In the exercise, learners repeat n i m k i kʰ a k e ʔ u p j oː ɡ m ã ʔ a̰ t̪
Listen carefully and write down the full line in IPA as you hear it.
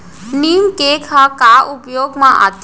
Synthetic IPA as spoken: n i m k e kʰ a k a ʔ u p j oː ɡ m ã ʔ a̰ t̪

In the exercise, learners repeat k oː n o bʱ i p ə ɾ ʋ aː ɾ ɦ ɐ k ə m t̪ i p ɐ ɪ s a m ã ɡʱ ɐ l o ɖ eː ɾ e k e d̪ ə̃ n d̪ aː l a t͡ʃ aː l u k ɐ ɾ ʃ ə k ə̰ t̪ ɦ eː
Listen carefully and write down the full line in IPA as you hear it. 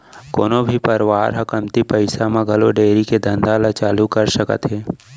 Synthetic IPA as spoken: k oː n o bʱ i p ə ɾ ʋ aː ɾ ɦ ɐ k ə m t̪ i p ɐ ɪ s a m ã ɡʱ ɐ l o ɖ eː ɾ i k e d̪ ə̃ n d̪ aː l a t͡ʃ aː l u k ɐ ɾ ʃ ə k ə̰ t̪ ɦ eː

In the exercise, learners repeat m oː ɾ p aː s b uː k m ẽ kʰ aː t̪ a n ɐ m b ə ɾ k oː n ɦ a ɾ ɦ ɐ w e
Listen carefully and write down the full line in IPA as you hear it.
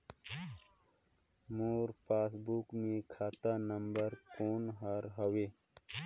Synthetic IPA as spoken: m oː ɾ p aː s b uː k m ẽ kʰ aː t̪ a n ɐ m b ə ɾ k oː n ɦ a ɾ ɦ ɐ w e

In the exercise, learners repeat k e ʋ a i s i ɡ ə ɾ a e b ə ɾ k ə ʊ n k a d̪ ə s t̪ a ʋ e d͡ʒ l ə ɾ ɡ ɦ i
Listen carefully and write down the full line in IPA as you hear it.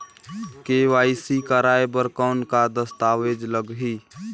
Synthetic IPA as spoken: k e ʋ a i s i k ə ɾ a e b ə ɾ k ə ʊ n k a d̪ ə s t̪ a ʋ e d͡ʒ l ə ɡ ɦ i

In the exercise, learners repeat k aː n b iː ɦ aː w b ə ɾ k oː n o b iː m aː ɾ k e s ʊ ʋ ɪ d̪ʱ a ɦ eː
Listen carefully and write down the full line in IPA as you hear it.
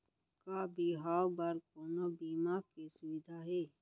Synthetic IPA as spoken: k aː b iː ɦ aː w b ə ɾ k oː n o b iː m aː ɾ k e s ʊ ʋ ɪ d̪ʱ a ɦ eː

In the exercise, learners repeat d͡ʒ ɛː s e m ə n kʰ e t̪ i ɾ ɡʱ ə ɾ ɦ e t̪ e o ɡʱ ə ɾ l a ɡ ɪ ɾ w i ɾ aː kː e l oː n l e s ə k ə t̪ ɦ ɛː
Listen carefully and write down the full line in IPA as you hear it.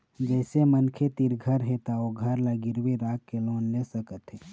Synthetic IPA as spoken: d͡ʒ ɛː s e m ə n kʰ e t̪ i ɾ ɡʱ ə ɾ ɦ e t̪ a o ɡʱ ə ɾ l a ɡ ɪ ɾ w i ɾ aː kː e l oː n l e s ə k ə t̪ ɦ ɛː

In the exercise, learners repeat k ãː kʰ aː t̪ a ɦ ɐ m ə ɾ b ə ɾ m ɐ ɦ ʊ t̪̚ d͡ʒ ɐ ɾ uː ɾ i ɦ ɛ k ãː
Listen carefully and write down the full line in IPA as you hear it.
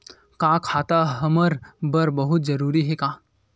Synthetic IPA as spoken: k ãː kʰ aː t̪ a ɦ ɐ m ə ɾ b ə ɾ b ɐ ɦ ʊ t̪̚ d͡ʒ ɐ ɾ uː ɾ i ɦ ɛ k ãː

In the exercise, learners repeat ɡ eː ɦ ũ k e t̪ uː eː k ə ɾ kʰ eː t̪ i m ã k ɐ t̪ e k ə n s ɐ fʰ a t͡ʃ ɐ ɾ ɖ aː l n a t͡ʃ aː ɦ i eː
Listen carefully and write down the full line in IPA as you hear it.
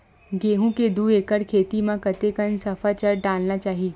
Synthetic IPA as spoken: ɡ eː ɦ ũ k e d̪ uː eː k ə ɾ kʰ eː t̪ i m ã k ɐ t̪ e k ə n s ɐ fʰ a t͡ʃ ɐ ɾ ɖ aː l n a t͡ʃ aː ɦ i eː

